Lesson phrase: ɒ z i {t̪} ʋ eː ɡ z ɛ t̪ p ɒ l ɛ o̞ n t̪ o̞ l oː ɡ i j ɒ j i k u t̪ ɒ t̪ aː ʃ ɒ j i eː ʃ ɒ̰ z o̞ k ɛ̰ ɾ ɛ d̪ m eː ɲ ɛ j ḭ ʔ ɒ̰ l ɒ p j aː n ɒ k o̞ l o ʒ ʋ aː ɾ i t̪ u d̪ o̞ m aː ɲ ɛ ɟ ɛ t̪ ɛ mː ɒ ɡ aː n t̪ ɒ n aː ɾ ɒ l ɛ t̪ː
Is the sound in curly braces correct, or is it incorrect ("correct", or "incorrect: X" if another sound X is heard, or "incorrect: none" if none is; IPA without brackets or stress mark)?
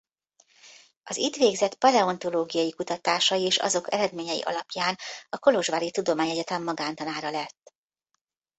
correct